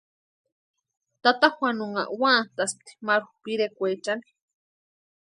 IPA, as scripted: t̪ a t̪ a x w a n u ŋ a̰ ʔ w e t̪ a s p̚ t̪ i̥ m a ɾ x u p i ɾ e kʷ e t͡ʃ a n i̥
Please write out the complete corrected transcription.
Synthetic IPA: t̪ a t̪ a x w a n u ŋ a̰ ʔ w a t̪ a s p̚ t̪ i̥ m a ɾ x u p i ɾ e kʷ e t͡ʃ a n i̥